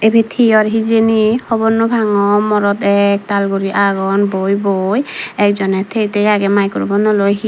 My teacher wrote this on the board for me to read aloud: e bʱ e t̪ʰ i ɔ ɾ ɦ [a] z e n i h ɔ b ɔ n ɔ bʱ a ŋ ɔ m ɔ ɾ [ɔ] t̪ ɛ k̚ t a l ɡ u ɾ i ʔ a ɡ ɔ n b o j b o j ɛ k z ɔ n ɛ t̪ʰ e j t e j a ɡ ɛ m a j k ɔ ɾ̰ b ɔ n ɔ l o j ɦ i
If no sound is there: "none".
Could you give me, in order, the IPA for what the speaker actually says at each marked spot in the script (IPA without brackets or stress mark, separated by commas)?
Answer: i, ɔ